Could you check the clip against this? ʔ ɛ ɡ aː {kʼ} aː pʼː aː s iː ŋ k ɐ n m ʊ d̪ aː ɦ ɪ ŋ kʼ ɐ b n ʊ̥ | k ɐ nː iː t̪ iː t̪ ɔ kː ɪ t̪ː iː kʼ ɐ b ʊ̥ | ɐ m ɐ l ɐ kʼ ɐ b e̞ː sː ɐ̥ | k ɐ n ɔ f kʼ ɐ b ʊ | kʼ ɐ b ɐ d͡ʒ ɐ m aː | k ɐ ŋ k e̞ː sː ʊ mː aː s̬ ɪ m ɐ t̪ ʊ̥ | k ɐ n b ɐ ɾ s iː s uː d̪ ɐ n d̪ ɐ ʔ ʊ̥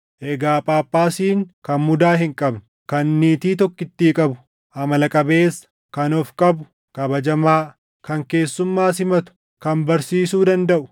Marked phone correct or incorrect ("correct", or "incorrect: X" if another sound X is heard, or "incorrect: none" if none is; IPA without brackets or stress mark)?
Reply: incorrect: pʼ